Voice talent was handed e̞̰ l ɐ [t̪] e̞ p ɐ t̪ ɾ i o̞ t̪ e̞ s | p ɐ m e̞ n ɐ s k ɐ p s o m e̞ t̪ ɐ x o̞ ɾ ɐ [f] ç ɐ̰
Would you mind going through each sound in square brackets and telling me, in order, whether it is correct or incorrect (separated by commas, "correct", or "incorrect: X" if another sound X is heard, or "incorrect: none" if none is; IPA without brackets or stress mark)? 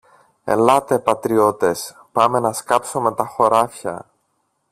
correct, correct